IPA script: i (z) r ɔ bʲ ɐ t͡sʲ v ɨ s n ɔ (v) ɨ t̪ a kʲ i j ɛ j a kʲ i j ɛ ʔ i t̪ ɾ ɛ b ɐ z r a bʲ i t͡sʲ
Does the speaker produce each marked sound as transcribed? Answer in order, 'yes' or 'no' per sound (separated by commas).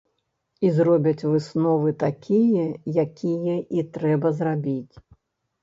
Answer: yes, yes